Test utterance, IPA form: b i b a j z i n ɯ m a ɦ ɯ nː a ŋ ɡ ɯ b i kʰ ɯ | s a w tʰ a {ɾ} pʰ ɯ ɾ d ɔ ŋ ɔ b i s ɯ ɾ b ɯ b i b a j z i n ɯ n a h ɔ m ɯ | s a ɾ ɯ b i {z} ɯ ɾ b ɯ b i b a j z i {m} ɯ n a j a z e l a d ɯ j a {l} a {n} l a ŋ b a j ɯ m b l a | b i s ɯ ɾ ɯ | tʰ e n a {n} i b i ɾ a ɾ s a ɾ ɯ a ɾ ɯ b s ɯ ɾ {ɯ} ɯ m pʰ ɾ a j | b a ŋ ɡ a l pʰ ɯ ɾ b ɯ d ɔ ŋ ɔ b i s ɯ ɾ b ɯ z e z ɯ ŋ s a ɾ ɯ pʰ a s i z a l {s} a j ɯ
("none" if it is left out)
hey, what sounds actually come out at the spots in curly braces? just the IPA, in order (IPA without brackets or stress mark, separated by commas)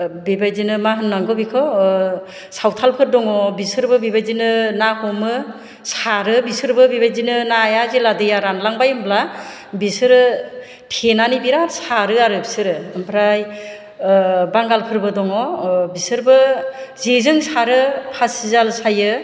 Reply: l, s, n, ɾ, n, n, ɯ, s